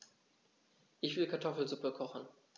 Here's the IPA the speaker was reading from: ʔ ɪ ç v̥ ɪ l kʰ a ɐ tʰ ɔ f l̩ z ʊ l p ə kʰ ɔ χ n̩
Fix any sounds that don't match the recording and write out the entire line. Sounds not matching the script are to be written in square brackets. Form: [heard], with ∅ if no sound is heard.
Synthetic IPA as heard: ʔ ɪ ç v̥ ɪ l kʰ a ɐ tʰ ɔ f l̩ z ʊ [∅] p ə kʰ ɔ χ n̩